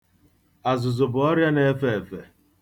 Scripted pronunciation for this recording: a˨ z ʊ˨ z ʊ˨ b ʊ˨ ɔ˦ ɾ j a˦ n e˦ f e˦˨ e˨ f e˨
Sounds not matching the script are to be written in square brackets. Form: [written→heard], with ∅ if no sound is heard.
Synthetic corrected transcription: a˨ z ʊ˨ z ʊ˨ b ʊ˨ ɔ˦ ɾ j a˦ n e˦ f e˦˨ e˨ f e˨